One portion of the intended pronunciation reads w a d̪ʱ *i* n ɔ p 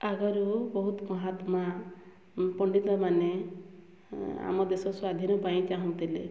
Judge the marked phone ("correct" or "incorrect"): correct